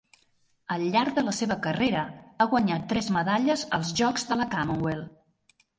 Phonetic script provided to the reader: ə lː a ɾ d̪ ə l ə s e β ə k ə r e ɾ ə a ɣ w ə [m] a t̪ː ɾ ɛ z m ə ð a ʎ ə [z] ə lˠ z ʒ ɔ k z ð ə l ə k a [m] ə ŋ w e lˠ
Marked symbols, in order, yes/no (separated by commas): no, yes, yes